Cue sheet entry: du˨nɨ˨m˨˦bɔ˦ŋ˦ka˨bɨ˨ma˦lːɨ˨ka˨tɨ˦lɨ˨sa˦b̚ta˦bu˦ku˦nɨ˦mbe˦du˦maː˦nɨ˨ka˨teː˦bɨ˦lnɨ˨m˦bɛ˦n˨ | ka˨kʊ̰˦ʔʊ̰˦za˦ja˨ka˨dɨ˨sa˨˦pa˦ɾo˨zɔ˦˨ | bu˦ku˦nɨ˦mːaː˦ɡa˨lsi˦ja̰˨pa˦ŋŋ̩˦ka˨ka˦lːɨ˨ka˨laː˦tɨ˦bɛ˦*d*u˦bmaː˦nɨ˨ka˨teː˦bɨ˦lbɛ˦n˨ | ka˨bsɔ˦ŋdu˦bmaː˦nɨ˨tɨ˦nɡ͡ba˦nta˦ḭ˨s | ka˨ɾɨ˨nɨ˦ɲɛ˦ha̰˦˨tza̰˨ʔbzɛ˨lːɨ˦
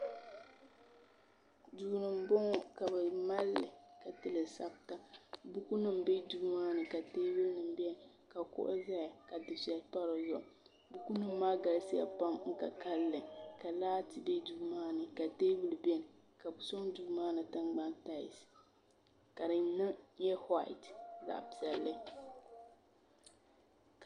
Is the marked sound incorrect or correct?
correct